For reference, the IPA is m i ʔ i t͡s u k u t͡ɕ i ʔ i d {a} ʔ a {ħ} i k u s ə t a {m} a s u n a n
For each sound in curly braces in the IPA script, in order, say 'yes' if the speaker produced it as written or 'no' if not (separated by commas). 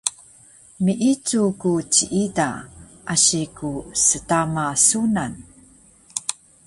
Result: yes, no, yes